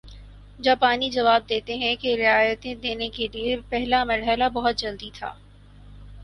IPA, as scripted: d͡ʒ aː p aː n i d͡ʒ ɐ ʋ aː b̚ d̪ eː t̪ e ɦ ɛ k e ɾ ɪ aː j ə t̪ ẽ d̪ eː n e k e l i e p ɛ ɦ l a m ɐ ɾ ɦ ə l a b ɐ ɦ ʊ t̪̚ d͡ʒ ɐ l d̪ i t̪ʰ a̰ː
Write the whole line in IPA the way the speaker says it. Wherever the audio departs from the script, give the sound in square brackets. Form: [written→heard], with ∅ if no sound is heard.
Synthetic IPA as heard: d͡ʒ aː p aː n i d͡ʒ ɐ ʋ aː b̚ d̪ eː t̪ e ɦ [ɛ→ɛ̃] k e ɾ ɪ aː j ə t̪ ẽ d̪ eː n e k e l i e p ɛ ɦ l a m ɐ ɾ ɦ ə l a b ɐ ɦ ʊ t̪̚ d͡ʒ ɐ l d̪ i t̪ʰ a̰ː